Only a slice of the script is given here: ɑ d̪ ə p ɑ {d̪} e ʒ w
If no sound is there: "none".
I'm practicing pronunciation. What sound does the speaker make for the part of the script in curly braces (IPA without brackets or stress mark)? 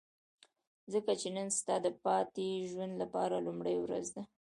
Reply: t̪